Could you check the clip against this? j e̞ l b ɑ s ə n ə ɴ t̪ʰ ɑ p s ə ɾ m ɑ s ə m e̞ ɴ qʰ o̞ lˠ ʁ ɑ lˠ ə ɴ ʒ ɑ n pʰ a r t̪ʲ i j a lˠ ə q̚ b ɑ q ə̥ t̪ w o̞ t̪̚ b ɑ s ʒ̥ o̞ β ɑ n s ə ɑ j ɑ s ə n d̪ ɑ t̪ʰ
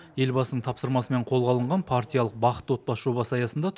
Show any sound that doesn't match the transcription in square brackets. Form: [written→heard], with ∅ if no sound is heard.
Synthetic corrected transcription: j e̞ l b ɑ s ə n ə ɴ t̪ʰ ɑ p s ə ɾ m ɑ s ə m e̞ ɴ qʰ o̞ lˠ ʁ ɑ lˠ ə ɴ [ʒ→ʁ] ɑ n pʰ a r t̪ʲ i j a lˠ ə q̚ b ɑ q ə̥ t̪ w o̞ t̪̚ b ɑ s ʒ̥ o̞ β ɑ [n→∅] s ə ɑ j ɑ s ə n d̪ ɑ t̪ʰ